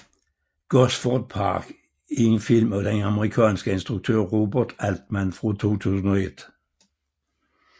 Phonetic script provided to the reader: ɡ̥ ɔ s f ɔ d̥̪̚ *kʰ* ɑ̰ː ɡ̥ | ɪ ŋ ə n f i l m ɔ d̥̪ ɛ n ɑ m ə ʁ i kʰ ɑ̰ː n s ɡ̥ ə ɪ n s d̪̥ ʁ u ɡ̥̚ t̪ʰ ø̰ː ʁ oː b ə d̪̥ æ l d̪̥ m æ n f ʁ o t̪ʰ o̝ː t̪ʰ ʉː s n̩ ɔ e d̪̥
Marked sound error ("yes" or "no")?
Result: yes